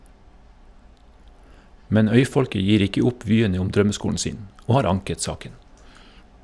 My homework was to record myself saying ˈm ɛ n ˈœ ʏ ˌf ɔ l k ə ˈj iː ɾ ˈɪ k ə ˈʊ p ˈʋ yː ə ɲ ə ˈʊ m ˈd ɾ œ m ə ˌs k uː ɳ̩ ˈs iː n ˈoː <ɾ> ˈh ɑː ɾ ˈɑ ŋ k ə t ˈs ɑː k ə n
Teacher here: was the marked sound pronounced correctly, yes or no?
no